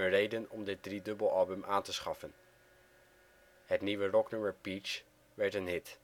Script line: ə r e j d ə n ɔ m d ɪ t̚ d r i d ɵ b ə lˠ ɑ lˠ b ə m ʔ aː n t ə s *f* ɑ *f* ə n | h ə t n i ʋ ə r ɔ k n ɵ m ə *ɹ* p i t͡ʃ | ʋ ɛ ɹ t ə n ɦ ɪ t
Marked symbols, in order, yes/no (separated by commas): no, yes, yes